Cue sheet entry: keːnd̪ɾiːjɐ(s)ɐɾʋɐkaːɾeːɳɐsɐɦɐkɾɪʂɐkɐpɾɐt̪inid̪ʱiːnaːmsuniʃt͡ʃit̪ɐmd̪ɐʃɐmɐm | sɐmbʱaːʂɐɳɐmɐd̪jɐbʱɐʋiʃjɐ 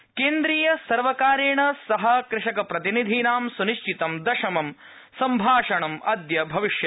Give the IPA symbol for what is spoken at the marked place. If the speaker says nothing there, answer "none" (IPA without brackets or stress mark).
s